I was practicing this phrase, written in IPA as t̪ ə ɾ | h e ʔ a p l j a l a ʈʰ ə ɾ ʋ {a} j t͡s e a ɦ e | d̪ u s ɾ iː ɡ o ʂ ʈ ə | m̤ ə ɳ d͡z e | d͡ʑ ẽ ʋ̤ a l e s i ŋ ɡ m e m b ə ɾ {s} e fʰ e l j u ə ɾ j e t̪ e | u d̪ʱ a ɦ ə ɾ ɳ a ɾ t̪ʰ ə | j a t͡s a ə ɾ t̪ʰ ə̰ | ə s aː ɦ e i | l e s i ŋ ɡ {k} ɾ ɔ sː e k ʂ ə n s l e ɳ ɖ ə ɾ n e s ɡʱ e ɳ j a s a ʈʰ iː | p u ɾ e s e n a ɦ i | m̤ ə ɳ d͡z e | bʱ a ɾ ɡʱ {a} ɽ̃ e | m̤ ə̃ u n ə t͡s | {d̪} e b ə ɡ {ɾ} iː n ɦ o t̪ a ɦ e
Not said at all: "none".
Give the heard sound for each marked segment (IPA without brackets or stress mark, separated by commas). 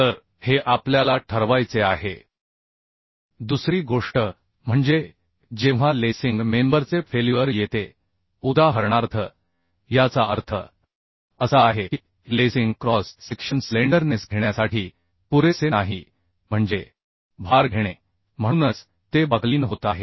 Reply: a, t͡s, k, e, t̪, l